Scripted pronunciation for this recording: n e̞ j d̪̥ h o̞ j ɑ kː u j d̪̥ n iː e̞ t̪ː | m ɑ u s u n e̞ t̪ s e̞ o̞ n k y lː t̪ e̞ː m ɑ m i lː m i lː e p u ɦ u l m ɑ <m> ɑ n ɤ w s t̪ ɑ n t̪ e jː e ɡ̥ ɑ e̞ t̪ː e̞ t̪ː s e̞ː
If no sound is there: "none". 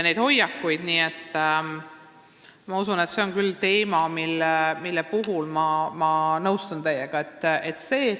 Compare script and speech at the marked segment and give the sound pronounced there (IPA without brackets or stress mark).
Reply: m